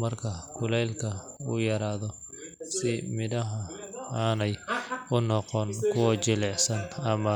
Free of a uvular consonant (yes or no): no